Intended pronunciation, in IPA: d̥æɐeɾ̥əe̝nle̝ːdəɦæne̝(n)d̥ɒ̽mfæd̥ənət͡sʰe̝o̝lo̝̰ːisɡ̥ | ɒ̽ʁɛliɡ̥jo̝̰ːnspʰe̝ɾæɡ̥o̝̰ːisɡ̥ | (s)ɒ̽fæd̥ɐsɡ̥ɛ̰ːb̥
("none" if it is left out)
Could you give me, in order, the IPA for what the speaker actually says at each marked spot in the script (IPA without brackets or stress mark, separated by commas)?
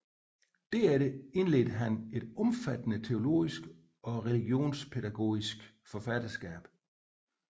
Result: none, f